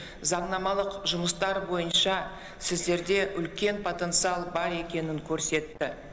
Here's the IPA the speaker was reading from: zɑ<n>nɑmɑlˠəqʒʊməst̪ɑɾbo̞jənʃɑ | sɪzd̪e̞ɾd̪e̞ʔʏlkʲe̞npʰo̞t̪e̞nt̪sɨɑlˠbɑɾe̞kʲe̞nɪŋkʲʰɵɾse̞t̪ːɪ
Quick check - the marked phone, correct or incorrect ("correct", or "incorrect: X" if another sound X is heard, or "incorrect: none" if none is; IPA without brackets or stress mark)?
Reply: incorrect: ɴ